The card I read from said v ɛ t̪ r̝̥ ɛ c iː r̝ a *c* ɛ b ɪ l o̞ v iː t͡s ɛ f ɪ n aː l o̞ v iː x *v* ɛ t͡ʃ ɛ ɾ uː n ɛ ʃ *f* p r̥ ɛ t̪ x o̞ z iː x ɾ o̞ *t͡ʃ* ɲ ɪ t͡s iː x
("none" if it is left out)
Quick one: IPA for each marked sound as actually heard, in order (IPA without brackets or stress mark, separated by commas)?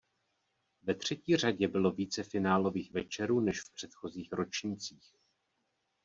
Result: ɟ, v, f, t͡ʃ